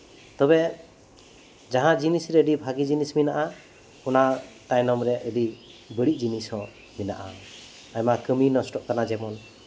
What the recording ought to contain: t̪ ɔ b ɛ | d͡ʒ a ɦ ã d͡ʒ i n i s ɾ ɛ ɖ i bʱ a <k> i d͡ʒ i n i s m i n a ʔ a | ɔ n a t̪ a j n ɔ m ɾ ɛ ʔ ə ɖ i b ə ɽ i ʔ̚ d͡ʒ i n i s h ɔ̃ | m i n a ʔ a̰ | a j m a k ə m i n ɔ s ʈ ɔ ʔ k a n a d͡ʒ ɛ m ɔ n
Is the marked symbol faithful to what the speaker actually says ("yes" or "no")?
no